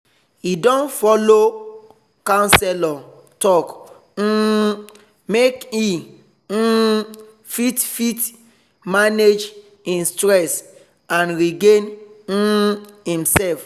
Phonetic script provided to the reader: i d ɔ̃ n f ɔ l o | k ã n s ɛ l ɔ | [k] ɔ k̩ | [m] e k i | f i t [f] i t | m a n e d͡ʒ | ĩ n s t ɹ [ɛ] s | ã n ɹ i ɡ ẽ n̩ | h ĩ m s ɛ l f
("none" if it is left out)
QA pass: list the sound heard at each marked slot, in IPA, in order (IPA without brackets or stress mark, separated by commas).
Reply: t, m, f, ɛ